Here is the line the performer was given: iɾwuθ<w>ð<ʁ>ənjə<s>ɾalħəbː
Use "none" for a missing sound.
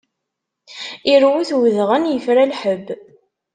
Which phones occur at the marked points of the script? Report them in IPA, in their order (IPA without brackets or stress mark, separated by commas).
w, ʁ, f